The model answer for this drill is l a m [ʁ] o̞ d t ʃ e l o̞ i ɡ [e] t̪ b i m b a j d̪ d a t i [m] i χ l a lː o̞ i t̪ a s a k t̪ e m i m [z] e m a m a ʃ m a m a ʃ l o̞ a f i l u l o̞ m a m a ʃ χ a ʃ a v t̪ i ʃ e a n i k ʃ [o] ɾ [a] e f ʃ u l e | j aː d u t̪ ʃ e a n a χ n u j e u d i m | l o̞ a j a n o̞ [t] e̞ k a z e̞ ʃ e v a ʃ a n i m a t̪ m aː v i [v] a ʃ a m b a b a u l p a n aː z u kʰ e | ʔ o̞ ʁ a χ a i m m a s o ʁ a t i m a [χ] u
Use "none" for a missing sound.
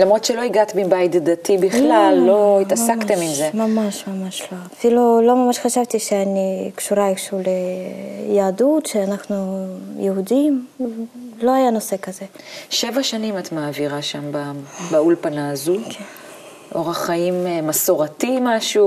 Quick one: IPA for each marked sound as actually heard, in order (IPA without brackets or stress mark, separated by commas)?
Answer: ʁ, a, b, z, u, a, s, ʁ, ʃ